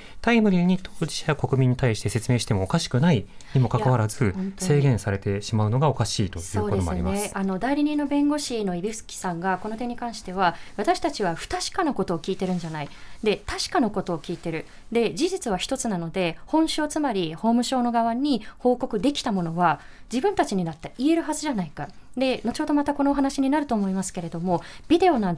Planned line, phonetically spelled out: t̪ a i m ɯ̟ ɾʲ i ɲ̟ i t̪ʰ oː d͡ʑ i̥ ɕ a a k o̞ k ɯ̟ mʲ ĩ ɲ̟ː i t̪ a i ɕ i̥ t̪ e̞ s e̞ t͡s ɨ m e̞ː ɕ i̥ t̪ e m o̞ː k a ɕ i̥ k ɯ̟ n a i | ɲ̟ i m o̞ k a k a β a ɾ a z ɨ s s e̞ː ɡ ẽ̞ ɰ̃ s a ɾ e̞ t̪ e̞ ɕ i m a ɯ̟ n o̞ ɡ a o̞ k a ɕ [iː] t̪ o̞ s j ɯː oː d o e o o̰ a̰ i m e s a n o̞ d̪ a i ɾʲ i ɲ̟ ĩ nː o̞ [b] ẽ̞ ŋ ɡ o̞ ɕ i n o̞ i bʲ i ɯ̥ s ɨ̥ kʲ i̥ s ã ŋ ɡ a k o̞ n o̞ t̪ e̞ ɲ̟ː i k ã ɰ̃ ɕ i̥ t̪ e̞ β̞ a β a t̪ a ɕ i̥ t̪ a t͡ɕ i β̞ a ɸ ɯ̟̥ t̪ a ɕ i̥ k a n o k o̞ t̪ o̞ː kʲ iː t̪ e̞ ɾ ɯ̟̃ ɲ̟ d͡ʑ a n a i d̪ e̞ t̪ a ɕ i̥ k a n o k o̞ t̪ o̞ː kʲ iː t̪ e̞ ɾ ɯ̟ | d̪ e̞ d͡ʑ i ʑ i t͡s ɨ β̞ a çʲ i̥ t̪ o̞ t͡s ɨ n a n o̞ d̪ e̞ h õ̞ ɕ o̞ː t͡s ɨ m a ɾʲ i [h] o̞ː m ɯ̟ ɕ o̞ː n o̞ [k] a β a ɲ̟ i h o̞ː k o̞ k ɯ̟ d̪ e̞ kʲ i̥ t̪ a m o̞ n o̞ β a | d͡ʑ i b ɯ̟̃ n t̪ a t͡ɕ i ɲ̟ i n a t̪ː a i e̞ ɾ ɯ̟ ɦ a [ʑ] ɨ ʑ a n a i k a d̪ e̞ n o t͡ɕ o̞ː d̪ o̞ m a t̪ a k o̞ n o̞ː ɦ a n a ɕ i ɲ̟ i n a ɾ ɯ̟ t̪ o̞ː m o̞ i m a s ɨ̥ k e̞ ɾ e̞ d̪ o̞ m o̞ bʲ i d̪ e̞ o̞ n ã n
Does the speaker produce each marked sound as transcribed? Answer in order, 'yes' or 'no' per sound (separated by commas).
yes, yes, yes, no, no